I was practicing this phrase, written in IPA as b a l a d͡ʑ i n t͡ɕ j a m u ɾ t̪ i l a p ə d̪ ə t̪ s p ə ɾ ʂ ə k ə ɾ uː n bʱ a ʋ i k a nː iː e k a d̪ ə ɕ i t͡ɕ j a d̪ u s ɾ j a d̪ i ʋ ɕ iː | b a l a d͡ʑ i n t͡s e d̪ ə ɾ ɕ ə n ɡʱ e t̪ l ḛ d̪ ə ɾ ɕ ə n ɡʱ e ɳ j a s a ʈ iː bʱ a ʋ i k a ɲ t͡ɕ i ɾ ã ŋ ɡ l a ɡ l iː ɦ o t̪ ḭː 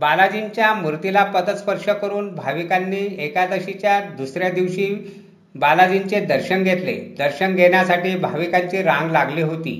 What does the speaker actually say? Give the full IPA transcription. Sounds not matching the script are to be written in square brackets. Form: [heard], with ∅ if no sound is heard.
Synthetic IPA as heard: b a l a d͡ʑ i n t͡ɕ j a m u ɾ t̪ i l a p ə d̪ ə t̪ s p ə ɾ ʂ ə k ə ɾ uː n bʱ a ʋ i k a nː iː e k a d̪ ə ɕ i t͡ɕ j a d̪ u s ɾ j a d̪ i ʋ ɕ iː | b a l a d͡ʑ i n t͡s e d̪ ə ɾ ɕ ə n ɡʱ e t̪ l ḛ d̪ ə ɾ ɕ ə n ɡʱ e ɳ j a s a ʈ iː bʱ a ʋ i k a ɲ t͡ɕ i ɾ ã ŋ ɡ l a ɡ l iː ɦ o t̪ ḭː